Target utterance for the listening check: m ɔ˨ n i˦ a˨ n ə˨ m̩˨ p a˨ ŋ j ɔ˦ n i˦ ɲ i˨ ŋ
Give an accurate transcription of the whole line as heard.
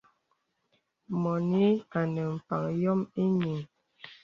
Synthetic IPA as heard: m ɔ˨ n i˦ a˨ n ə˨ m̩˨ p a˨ ŋ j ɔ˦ m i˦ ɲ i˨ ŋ